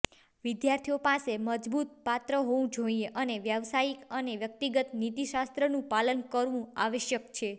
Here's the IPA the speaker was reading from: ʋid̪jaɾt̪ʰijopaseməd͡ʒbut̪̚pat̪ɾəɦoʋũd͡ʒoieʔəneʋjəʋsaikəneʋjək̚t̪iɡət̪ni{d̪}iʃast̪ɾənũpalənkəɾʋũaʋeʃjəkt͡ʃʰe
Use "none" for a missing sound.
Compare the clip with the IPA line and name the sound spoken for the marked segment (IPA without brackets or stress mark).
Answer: t̪